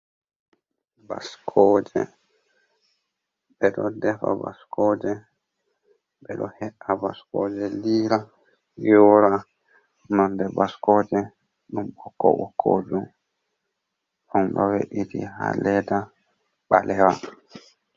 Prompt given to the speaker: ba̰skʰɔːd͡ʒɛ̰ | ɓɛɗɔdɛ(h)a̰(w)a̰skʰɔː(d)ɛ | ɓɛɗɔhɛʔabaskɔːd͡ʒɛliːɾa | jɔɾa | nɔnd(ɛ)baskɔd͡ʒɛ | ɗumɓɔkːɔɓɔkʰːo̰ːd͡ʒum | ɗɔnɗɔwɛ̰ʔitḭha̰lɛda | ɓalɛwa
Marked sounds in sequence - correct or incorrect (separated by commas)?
incorrect, incorrect, incorrect, correct